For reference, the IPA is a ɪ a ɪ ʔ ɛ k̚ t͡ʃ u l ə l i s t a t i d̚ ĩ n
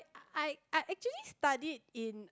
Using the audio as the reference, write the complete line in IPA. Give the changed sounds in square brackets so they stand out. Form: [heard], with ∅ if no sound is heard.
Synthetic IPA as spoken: a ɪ a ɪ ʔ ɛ k̚ t͡ʃ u [∅] ə l i s t a [d] i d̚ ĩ n